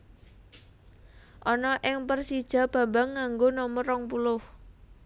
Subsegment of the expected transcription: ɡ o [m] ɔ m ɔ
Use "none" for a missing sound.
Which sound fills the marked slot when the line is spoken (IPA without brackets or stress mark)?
n